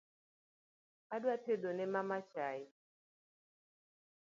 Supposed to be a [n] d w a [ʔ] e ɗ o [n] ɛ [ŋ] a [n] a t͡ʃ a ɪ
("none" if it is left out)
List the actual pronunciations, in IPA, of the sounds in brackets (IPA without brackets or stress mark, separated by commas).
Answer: none, t, n, m, m